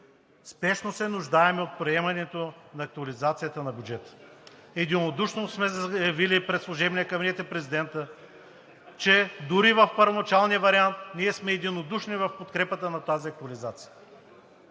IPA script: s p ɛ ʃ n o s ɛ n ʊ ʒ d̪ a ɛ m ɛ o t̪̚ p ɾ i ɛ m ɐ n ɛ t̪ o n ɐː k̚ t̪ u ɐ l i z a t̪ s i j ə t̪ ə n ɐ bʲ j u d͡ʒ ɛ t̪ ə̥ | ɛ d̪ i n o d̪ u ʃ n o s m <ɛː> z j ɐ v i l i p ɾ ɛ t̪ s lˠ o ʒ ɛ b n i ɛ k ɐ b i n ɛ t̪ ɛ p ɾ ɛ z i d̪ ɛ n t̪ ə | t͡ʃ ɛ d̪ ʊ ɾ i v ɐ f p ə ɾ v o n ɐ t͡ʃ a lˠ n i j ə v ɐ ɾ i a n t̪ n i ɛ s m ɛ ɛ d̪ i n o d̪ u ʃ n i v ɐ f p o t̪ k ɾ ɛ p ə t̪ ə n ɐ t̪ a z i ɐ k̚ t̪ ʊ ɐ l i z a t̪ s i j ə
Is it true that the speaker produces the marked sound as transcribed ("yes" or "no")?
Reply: no